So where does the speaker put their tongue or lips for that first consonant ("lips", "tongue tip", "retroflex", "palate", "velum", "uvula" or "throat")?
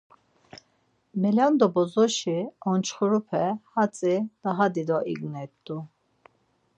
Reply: lips